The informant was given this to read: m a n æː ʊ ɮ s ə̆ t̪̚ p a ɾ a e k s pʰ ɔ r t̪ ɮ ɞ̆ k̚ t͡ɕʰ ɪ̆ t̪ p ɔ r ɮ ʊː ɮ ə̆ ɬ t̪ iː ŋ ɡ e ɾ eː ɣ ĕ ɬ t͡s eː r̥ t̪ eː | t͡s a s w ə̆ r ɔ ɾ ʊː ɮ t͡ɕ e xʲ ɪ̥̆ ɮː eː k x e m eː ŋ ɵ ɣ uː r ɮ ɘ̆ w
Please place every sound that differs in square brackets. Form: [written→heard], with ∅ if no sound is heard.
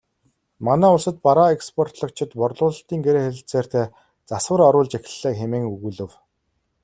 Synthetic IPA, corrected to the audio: m a n æː ʊ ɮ s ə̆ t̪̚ p a ɾ a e k s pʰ ɔ r t̪ ɮ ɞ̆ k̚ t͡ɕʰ ɪ̆ t̪ p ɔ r ɮ ʊː ɮ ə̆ ɬ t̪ iː ŋ ɡ e ɾ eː [ɣ→x] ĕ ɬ t͡s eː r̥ t̪ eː | t͡s a s w ə̆ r ɔ ɾ ʊː ɮ t͡ɕ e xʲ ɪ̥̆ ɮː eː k x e m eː ŋ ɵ ɣ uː [r→∅] ɮ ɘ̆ w